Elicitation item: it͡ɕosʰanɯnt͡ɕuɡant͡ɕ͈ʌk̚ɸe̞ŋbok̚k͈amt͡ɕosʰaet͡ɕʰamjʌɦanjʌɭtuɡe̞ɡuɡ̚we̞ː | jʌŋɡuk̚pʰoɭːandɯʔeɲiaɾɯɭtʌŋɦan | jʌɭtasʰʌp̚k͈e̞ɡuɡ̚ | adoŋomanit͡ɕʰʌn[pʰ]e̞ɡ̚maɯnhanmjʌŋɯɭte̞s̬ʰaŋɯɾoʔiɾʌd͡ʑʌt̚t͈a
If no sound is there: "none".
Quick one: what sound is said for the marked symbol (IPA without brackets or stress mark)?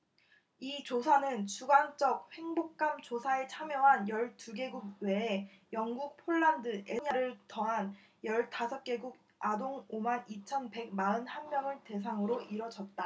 p